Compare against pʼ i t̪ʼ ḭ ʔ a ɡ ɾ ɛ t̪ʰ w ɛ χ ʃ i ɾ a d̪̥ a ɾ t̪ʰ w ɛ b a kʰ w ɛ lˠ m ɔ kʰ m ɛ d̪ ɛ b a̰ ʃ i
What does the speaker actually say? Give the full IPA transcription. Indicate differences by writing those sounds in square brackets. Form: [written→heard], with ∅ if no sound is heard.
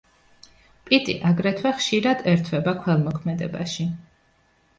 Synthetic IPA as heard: pʼ i t̪ʼ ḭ ʔ a ɡ ɾ ɛ t̪ʰ w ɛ χ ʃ i ɾ a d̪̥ [a→ɛ] ɾ t̪ʰ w ɛ b a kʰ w ɛ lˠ m ɔ kʰ m ɛ d̪ ɛ b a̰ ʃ i